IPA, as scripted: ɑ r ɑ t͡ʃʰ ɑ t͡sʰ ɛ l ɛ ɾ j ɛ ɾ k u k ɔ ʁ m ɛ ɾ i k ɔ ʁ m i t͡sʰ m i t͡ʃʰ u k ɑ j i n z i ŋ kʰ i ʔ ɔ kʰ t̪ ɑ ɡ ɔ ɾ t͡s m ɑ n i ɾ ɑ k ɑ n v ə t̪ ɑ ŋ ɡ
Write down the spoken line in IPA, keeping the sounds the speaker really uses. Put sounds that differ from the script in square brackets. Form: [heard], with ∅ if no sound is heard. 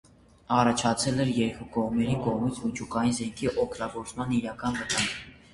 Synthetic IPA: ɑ r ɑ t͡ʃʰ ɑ t͡sʰ ɛ l ɛ ɾ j ɛ ɾ k u k ɔ ʁ m ɛ ɾ i k ɔ ʁ m i t͡sʰ m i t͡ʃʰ u k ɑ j i n z [ɛ] ŋ kʰ i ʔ ɔ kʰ t̪ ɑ ɡ ɔ ɾ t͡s m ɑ n i ɾ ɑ k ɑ n v ə t̪ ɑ ŋ ɡ

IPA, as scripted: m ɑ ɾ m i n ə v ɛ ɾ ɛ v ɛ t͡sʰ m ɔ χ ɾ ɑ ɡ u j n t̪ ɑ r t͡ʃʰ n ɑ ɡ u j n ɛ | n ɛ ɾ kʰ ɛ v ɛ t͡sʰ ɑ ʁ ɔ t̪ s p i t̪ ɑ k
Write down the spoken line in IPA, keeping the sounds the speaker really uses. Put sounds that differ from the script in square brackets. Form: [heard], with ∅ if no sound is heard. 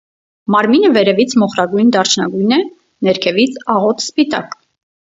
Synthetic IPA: m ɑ ɾ m i n ə v ɛ ɾ ɛ v [i] t͡sʰ m ɔ χ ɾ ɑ ɡ u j n [d̪] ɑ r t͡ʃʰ n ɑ ɡ u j n ɛ | n ɛ ɾ kʰ ɛ v [i] t͡sʰ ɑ ʁ ɔ t̪ s p i t̪ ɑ k

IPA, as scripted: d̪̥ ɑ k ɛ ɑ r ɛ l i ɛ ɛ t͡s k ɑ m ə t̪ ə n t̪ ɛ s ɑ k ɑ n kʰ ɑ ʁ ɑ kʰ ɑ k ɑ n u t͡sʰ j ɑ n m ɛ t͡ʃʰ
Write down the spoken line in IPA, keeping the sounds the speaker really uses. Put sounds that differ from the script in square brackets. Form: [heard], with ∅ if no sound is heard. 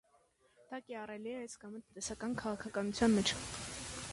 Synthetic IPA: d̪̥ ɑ k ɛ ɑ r ɛ l i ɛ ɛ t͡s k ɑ m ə t̪ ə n t̪ ɛ s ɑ k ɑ n kʰ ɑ ʁ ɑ kʰ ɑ k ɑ n u t͡sʰ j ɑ n m ɛ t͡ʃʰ

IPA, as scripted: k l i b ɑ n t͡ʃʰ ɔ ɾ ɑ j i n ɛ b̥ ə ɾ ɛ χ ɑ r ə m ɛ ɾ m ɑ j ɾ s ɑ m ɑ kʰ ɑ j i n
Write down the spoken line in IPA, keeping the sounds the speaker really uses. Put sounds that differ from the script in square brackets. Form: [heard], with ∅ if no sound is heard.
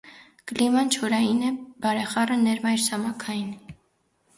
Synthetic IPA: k l i [m] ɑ n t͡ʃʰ ɔ ɾ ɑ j i n ɛ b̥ [ɑ] ɾ ɛ χ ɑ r ə [n] ɛ ɾ m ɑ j ɾ s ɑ m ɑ kʰ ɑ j i n

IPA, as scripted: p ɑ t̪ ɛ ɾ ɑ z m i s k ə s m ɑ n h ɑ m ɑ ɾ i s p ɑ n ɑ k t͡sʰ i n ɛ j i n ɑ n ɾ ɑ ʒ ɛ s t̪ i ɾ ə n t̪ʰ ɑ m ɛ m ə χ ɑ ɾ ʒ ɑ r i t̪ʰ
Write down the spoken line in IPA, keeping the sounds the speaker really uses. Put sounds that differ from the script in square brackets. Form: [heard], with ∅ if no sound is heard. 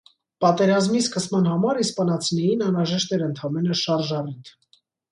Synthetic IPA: p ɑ t̪ ɛ ɾ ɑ z m i s k ə s m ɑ n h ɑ m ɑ ɾ i s p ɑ n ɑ [∅] t͡sʰ i n ɛ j i n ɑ n ɾ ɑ ʒ ɛ [ʃ] t̪ [ɛ] ɾ ə n t̪ʰ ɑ m ɛ [n] ə [ʃ] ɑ ɾ ʒ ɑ r i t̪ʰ

